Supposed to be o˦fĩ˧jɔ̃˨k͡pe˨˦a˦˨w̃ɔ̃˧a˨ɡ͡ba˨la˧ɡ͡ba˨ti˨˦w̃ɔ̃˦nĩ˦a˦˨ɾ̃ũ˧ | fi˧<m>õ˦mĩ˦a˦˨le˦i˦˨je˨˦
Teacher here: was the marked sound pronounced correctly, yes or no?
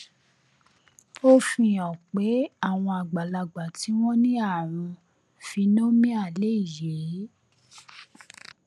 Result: no